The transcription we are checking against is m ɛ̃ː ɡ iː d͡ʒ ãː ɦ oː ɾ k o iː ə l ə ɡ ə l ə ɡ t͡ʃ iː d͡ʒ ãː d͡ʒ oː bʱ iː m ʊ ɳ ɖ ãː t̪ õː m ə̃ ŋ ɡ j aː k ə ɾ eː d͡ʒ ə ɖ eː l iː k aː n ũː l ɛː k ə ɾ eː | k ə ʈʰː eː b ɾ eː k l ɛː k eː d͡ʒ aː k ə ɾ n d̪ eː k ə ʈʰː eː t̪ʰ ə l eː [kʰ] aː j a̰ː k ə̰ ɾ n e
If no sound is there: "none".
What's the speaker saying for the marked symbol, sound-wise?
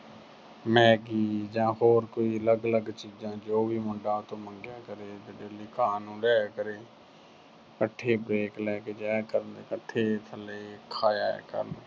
kʰ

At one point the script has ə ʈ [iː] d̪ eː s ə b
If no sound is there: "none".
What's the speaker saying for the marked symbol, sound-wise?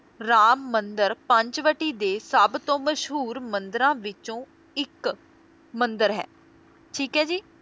iː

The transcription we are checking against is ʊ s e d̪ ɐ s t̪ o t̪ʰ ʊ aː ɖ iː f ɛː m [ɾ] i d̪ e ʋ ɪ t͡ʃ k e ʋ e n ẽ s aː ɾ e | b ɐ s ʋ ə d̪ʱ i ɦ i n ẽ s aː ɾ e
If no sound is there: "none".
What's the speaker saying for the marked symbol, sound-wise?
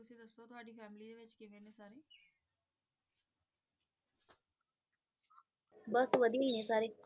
l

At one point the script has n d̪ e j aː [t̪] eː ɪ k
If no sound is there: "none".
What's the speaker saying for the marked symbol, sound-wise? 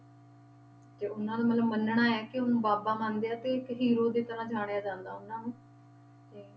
t̪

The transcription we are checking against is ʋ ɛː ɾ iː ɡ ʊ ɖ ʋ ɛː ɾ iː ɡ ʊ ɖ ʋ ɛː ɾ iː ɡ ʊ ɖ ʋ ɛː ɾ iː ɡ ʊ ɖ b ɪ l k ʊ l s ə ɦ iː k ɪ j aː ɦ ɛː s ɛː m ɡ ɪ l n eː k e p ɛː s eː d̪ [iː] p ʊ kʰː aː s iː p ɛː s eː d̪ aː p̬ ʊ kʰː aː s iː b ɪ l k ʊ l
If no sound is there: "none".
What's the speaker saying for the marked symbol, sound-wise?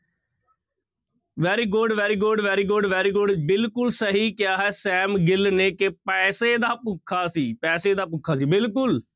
aː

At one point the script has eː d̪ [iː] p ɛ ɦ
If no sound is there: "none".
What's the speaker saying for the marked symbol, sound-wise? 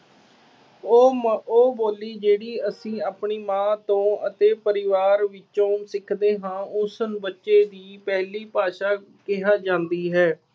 iː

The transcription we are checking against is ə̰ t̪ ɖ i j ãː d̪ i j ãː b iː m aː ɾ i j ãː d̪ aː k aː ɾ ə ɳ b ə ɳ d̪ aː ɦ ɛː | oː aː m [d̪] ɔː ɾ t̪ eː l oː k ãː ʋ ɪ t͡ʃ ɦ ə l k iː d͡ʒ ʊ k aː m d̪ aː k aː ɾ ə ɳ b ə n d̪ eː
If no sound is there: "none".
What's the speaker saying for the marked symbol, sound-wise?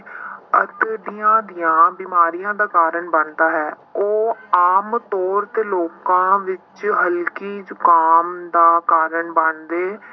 t̪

